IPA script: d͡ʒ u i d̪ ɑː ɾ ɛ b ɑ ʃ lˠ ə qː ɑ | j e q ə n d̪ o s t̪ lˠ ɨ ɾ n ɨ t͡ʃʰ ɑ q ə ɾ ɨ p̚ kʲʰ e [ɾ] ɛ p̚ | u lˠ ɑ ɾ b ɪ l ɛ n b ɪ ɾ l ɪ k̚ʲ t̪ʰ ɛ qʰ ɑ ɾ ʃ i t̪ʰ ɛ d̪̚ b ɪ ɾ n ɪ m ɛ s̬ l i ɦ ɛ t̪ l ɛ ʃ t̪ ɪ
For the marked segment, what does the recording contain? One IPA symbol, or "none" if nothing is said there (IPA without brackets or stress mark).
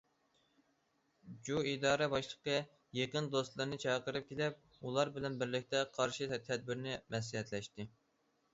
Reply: l